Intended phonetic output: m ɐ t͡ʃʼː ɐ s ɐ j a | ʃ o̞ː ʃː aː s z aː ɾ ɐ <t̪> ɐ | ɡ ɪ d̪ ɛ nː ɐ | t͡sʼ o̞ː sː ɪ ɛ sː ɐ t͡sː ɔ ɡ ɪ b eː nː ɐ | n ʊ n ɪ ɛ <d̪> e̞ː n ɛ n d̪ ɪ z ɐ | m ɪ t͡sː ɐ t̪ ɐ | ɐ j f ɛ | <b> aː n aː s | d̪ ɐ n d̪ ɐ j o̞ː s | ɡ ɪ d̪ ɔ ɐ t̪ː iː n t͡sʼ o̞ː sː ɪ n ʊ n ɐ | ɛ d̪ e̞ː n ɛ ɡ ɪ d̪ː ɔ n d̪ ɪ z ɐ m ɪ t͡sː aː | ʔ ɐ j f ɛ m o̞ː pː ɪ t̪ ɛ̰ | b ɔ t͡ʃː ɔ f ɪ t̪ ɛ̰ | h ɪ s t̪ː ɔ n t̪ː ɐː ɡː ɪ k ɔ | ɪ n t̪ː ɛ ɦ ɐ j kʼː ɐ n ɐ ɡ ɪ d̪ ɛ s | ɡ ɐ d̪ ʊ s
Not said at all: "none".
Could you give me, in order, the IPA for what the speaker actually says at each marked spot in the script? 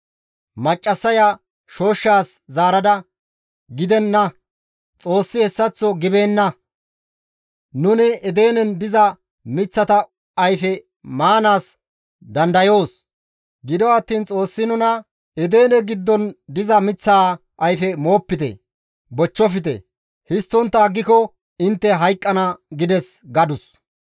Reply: d̪, d̪, m

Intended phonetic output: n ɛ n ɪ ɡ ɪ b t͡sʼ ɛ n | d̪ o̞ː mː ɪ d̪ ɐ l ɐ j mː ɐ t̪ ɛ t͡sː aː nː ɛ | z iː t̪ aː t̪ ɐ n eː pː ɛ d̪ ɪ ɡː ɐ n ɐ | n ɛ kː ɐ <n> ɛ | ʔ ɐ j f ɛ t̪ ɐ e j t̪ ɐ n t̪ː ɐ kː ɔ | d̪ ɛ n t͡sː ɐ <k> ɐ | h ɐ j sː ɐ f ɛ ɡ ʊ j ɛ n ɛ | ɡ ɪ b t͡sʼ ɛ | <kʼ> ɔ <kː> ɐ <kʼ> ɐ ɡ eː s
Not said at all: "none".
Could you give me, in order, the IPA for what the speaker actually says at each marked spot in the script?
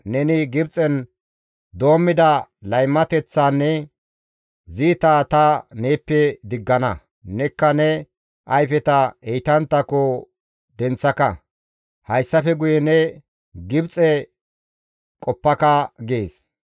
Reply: n, k, kʼ, pː, k

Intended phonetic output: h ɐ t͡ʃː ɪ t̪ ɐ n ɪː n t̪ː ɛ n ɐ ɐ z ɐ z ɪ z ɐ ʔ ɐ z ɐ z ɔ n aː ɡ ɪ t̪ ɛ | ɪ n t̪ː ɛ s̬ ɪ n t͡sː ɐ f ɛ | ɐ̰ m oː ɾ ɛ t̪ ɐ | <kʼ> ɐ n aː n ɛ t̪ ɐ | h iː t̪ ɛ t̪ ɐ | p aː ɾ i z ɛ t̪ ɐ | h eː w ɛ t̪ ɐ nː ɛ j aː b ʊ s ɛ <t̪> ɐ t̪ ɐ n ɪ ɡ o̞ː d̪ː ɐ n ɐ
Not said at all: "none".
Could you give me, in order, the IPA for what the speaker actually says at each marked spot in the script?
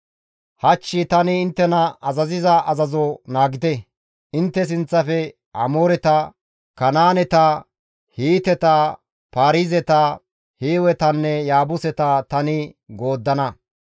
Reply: k, t̪

